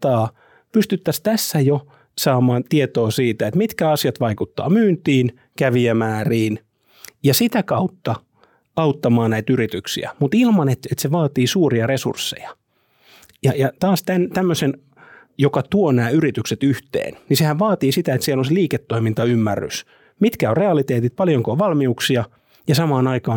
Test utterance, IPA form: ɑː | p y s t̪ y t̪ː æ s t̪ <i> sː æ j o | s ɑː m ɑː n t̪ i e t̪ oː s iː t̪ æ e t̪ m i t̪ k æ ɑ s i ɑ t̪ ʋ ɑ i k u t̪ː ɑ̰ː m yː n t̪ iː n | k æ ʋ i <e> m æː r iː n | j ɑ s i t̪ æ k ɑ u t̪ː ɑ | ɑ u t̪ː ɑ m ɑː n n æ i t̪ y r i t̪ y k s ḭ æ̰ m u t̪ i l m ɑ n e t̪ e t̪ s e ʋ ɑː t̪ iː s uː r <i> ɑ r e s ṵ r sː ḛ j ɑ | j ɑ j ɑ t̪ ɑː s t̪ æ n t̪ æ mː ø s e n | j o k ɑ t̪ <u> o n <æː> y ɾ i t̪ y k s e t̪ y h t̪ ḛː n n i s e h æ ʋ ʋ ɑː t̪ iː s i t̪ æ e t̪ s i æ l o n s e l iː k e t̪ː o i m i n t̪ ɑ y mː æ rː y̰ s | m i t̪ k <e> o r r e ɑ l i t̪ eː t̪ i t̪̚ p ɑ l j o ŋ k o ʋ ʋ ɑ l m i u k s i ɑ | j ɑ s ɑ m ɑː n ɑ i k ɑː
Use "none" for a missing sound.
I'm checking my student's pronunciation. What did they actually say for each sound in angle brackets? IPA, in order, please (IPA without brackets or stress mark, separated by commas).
æ, æ, i, u, æː, æ